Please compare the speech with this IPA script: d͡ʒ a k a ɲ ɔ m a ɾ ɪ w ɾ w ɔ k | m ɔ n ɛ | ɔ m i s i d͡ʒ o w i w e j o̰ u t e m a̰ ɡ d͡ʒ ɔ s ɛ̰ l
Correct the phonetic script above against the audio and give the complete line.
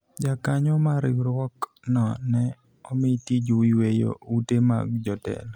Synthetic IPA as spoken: d͡ʒ a k a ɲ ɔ m a ɾ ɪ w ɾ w ɔ k | n ɔ n ɛ | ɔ m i t i d͡ʒ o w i w e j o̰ u t e m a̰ ɡ d͡ʒ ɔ t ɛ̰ l